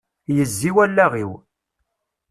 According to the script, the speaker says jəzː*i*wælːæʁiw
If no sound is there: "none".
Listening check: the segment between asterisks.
i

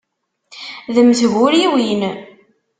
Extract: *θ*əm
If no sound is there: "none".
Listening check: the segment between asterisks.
ð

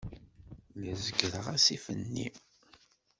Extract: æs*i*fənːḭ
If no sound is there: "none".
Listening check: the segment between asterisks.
i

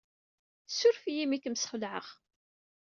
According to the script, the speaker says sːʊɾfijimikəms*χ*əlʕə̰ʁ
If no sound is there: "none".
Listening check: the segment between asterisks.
χ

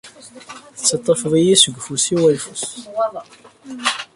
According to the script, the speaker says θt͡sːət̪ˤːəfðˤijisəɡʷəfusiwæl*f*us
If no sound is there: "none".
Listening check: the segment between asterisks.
f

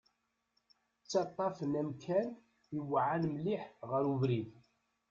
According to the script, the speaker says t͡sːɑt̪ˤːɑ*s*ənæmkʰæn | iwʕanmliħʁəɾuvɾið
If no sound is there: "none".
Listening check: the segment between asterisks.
f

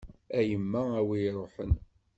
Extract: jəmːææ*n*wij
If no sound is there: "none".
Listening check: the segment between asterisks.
none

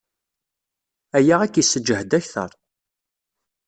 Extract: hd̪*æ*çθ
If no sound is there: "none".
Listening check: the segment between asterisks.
æ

